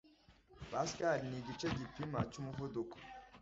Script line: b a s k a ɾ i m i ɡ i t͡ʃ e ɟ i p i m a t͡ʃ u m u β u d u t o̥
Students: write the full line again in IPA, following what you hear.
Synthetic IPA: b a s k a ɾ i n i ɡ i t͡ʃ e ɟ i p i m a t͡ʃ u m u v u d u k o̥

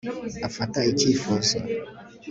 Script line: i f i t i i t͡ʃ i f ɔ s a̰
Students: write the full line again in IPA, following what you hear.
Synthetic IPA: a f a t a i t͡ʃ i f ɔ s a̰

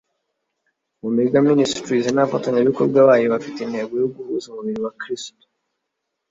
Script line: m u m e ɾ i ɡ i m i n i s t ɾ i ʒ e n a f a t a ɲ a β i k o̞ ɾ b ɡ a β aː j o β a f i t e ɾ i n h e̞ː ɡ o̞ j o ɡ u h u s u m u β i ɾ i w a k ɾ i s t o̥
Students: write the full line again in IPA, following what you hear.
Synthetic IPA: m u m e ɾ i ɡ a m i n i s t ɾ i z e n a f a t a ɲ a β i k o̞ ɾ b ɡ a β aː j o β a f i t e i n h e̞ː ɡ o̞ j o ɡ u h u z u m u β i ɾ i w a k ɾ i s t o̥

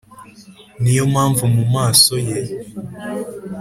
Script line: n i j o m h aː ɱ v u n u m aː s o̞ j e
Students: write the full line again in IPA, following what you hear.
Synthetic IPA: n i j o m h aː ɱ v u m u m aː s o̞ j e

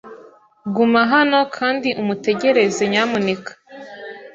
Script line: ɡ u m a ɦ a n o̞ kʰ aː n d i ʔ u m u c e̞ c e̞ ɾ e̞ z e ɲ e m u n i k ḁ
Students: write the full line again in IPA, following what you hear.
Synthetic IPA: ɡ u m a ɦ a n o̞ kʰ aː n d i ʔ u m u t e̞ ɟ e̞ ɾ e̞ z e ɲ a m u n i k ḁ

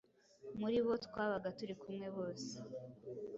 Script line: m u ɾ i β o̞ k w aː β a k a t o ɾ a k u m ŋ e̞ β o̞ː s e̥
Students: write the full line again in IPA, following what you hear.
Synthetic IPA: m u ɾ i β o̞ t w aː β a ɡ a t u ɾ i k u m ŋ e̞ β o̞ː s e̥

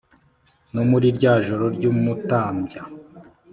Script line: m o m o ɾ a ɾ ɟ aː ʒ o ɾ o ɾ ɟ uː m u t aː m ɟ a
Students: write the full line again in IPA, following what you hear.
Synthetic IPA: n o m u ɾ i ɾ ɟ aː ʒ o ɾ o ɾ ɟ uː m u t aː m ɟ a

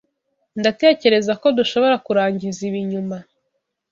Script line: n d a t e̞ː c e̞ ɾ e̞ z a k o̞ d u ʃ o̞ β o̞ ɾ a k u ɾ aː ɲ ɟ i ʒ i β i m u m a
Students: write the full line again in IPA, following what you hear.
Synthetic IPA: n d a t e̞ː c e̞ ɾ e̞ z a k o̞ d u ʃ o̞ β o̞ ɾ a k u ɾ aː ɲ ɟ i z i β i ɲ u m a

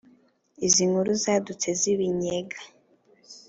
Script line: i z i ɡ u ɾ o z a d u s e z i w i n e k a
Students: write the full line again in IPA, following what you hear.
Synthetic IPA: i z i ŋ u ɾ u z a d u t͡s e z i β i ɲ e ɡ a

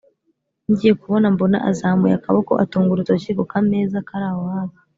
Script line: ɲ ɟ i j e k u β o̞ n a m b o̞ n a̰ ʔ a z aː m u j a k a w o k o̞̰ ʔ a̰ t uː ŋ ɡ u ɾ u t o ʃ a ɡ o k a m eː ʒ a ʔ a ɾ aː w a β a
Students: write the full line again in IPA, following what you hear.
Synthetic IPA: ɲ ɟ i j e k u β o̞ n a m b o̞ n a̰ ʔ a z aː m u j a k a β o k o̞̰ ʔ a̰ t uː ŋ ɡ u ɾ u t o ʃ i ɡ o k a m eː z a k a ɾ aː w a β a

